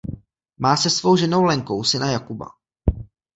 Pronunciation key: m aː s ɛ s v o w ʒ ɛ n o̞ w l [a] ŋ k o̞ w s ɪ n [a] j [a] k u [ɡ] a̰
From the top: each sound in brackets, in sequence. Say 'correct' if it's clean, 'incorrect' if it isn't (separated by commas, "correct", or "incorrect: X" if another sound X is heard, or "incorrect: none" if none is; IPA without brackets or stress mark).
incorrect: ɛ, correct, correct, incorrect: b